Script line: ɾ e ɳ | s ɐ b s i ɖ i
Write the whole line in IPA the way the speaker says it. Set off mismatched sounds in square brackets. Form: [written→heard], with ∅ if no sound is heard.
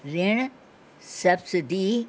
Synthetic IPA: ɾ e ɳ | s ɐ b s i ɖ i